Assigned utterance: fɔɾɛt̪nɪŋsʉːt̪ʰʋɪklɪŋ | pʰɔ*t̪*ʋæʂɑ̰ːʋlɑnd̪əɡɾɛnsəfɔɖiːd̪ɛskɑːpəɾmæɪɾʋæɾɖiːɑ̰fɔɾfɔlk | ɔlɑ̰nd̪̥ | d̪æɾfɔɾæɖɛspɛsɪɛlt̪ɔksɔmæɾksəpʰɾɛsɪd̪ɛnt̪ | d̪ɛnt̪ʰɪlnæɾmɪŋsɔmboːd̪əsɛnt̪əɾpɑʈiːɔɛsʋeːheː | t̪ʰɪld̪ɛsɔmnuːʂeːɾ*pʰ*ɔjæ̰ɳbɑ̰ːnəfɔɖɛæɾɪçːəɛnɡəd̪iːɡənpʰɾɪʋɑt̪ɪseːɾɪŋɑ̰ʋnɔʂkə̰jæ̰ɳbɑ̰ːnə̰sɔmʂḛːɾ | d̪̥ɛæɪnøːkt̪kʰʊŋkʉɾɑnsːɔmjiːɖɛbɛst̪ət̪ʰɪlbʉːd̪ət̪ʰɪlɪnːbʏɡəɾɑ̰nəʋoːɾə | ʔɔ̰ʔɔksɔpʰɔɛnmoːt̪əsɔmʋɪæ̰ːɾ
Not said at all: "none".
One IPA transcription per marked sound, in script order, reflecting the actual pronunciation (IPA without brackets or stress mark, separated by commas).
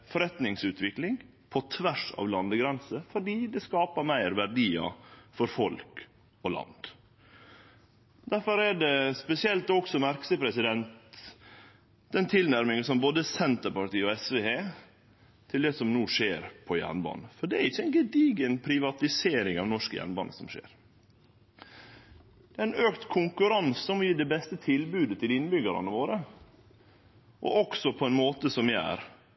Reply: t̪ʰ, pʰ